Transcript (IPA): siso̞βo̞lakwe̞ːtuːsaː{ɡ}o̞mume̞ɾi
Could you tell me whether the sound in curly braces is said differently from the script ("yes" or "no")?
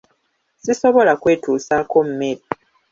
yes